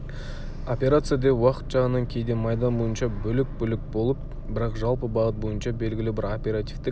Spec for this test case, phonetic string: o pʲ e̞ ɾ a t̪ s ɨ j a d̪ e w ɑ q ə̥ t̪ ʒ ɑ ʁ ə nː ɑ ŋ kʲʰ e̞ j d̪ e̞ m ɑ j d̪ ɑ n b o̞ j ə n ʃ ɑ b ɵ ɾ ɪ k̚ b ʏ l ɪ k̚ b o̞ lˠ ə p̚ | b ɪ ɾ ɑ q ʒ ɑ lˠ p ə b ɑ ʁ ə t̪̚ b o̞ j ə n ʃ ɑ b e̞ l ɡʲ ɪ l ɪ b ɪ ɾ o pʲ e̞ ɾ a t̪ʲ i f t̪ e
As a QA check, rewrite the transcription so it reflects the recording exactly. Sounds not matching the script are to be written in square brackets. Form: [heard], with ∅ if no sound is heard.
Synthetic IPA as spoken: o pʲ e̞ ɾ a t̪ s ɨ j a d̪ e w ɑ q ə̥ t̪ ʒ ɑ ʁ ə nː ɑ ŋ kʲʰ e̞ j d̪ e̞ m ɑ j d̪ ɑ n b o̞ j ə n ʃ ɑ b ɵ [l] ɪ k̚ b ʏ l ɪ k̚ b o̞ lˠ ə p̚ | b ɪ ɾ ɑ q ʒ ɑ lˠ p ə b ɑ ʁ ə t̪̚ b o̞ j ə n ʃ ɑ b e̞ l ɡʲ ɪ l ɪ b ɪ ɾ o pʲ e̞ ɾ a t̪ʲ i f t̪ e

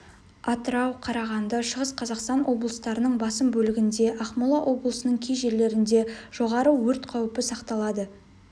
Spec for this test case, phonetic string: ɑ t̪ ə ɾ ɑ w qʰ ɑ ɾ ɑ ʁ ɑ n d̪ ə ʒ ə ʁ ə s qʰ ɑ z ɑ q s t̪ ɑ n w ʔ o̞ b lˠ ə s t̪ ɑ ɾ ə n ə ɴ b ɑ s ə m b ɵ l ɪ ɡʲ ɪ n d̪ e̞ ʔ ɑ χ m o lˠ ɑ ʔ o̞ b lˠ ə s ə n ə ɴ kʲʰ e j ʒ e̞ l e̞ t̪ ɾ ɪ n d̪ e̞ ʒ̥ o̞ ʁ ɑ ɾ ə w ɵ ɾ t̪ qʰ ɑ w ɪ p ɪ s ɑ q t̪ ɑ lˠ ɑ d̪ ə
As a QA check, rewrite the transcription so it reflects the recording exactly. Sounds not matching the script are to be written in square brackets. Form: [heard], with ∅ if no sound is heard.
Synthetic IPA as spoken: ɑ t̪ ə ɾ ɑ w qʰ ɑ ɾ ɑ ʁ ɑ n d̪ ə [ʃ] ə ʁ ə s qʰ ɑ z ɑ q s t̪ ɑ n w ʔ o̞ b lˠ ə s t̪ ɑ ɾ ə n ə ɴ b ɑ s ə m b ɵ l ɪ ɡʲ ɪ n d̪ e̞ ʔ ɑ χ m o lˠ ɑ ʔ o̞ b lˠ ə s ə n ə ɴ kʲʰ e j ʒ e̞ l e̞ [∅] ɾ ɪ n d̪ e̞ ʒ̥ o̞ ʁ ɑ ɾ ə w ɵ ɾ t̪ qʰ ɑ w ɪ p ɪ s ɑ q t̪ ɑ lˠ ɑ d̪ ə

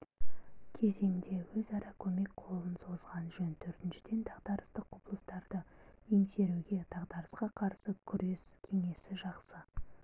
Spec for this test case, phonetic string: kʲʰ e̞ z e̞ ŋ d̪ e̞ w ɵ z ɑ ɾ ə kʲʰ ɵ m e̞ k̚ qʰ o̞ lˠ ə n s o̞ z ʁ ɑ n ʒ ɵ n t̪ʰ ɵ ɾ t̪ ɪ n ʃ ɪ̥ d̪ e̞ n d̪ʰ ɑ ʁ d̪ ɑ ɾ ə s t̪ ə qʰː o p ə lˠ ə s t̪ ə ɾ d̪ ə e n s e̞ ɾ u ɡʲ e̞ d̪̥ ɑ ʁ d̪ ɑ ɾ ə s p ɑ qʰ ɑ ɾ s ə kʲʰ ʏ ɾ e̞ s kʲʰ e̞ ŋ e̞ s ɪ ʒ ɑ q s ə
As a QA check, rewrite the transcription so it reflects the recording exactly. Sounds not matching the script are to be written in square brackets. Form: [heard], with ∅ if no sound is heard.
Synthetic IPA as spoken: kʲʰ e̞ z e̞ ŋ d̪ e̞ w ɵ z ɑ ɾ [ɑ] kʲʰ ɵ m e̞ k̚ qʰ o̞ lˠ ə n s o̞ z ʁ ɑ n ʒ ɵ n t̪ʰ ɵ ɾ t̪ ɪ n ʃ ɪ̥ d̪ e̞ n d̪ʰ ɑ ʁ d̪ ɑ ɾ ə s t̪ ə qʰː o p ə lˠ ə s t̪ [ɑ] ɾ d̪ ə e n s e̞ ɾ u ɡʲ e̞ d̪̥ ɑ ʁ d̪ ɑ ɾ ə s [q] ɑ qʰ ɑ ɾ s ə kʲʰ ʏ ɾ e̞ s kʲʰ e̞ ŋ e̞ s ɪ ʒ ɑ q s ə

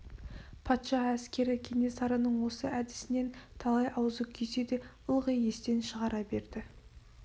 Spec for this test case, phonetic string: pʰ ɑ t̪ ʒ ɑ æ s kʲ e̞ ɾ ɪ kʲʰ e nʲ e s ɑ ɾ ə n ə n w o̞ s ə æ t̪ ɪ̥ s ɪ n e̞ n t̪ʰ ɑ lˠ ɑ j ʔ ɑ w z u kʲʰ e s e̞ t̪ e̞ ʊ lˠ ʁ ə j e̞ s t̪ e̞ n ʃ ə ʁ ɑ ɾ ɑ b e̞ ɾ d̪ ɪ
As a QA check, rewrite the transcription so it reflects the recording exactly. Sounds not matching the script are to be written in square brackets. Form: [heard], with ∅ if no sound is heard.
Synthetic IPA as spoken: pʰ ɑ t̪ [ʃ] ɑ æ s kʲ e̞ ɾ ɪ kʲʰ e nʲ e s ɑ ɾ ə n ə [ɴ] w o̞ s ə æ [d̪] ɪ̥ s ɪ n e̞ n t̪ʰ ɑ lˠ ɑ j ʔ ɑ w z u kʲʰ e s e̞ [d̪] e̞ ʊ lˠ ʁ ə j e̞ s t̪ e̞ n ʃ ə ʁ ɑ ɾ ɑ b e̞ ɾ d̪ ɪ

